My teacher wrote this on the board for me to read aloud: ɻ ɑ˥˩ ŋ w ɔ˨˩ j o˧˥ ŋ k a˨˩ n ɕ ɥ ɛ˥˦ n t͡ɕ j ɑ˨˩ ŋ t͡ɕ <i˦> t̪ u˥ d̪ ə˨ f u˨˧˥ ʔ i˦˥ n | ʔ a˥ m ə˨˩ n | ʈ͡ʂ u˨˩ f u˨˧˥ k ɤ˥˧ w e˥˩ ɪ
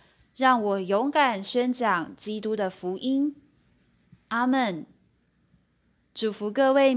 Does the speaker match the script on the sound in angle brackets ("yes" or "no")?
yes